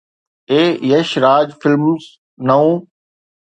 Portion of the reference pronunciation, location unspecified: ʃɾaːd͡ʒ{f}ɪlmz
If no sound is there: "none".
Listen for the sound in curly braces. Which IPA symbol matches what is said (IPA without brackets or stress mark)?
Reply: f